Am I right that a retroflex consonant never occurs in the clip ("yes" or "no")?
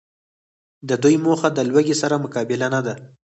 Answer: yes